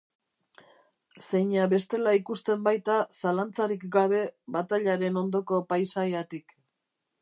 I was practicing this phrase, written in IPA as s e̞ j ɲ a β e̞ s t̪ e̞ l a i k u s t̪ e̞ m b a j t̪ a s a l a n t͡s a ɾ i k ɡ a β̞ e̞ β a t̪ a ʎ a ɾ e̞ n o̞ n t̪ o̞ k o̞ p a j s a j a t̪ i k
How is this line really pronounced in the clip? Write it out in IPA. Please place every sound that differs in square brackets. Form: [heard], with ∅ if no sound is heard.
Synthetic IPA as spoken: s e̞ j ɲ a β e̞ s t̪ e̞ l a i k u s t̪ e̞ m b a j t̪ a s a l a n t͡s a ɾ i k ɡ a β̞ e̞ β a t̪ a ʎ a ɾ e̞ n o̞ n [d̪] o̞ k o̞ p a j s a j a t̪ i k